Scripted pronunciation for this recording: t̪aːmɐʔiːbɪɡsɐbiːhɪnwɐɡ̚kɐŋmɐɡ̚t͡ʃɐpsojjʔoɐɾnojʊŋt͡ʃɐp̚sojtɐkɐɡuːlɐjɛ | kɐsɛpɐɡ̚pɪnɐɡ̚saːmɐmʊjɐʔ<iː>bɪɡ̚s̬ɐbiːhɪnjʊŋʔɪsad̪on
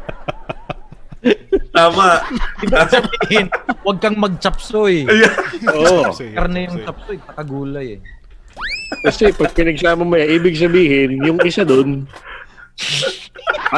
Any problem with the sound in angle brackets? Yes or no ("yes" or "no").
no